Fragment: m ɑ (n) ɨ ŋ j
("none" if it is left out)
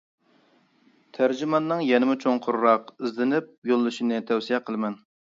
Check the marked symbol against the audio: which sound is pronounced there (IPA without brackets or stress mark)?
nː